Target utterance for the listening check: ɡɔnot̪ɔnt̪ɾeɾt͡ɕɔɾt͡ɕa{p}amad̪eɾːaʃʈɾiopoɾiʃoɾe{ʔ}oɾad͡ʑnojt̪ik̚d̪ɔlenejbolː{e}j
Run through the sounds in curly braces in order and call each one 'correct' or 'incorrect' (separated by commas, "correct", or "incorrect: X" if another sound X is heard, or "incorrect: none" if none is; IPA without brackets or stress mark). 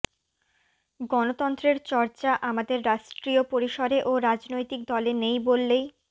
incorrect: ʔ, correct, correct